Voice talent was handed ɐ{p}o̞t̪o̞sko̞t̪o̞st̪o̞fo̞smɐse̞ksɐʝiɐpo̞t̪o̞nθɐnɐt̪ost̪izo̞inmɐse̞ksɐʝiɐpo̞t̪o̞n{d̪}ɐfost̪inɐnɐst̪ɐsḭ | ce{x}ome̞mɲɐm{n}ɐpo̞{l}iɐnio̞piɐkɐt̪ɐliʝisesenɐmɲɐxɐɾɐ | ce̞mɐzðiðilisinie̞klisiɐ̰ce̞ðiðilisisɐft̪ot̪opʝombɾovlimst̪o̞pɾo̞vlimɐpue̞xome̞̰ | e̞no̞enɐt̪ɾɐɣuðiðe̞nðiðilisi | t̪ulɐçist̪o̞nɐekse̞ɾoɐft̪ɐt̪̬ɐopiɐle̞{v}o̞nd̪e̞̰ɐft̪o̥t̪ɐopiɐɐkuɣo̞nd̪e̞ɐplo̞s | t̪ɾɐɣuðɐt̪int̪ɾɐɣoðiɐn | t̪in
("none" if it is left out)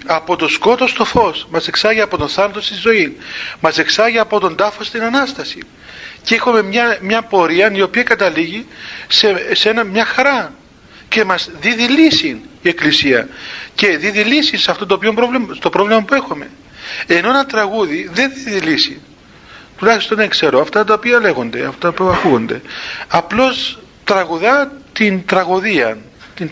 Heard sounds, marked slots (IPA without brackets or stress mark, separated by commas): p, d̪, x, ɲ, ɾ, ɣ